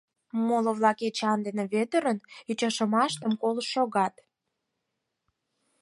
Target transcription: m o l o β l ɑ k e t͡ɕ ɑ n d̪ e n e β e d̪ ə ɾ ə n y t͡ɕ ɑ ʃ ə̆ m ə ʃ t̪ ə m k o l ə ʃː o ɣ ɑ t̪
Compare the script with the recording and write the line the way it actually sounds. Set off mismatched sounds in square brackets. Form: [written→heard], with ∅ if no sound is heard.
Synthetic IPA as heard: m o l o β l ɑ k e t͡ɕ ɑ n d̪ e n e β e [d̪→t̪] ə ɾ ə n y t͡ɕ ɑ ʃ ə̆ m [ə→ɑ] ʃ t̪ ə m k o l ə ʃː o ɣ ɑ t̪